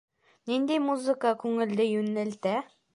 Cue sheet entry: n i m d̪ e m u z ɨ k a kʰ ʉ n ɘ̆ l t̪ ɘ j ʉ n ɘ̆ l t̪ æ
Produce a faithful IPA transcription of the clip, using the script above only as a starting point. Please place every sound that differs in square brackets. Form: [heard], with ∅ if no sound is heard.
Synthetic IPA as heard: n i [n] d̪ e m u z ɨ k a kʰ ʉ [ŋ] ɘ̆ l [d̪] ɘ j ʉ n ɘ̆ l t̪ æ